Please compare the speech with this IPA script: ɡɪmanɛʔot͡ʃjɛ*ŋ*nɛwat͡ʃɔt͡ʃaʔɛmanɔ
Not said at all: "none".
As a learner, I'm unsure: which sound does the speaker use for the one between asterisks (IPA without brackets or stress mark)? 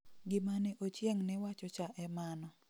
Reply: ŋ